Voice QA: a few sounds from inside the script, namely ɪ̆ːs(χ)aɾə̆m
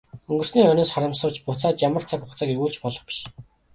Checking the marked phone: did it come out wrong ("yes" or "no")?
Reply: no